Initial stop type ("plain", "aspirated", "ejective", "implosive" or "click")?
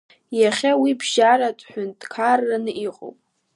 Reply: plain